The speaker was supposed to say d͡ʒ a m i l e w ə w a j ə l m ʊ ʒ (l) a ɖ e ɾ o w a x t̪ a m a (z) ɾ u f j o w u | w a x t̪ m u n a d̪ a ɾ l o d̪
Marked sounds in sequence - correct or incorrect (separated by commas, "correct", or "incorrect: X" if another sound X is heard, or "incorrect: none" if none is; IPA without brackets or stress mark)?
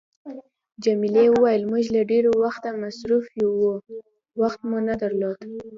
correct, incorrect: s